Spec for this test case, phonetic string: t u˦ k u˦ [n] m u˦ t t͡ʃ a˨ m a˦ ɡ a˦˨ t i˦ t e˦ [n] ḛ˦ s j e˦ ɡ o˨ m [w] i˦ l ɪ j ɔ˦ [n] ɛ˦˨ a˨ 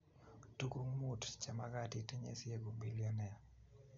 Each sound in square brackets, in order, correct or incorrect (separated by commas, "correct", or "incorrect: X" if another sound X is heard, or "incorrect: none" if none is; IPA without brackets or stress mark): incorrect: ŋ, incorrect: ɲ, incorrect: b, correct